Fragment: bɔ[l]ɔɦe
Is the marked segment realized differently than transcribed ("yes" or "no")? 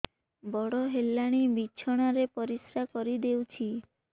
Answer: yes